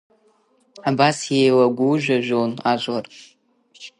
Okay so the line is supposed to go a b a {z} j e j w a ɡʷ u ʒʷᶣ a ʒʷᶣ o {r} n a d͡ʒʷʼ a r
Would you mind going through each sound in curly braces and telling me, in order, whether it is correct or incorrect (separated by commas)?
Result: incorrect, incorrect